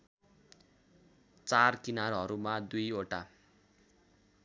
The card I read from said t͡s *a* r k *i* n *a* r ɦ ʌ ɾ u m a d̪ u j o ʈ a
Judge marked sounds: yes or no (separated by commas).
yes, yes, yes